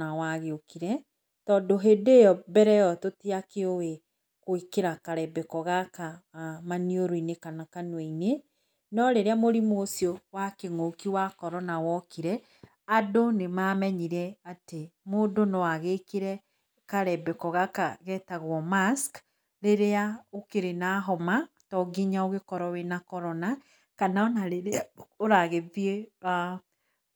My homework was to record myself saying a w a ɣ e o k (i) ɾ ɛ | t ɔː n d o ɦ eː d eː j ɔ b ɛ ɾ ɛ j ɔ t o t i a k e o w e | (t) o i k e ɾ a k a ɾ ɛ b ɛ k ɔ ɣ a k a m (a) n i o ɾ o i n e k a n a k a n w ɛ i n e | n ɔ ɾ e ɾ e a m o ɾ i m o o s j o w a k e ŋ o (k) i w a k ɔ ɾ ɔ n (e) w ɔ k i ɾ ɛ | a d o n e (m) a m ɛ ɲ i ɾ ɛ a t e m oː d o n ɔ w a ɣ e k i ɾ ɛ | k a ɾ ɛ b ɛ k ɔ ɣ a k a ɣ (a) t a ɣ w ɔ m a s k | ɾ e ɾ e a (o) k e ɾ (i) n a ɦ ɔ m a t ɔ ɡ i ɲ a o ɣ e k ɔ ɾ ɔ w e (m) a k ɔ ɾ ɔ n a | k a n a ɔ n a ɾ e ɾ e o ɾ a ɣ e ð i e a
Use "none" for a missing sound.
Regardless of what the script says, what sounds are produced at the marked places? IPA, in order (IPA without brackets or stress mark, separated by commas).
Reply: i, k, a, k, a, m, ɛ, o, e, n